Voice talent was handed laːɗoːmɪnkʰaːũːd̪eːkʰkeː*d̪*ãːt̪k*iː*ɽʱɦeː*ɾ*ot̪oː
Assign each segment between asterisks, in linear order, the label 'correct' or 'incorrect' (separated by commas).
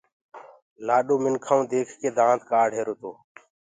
correct, incorrect, correct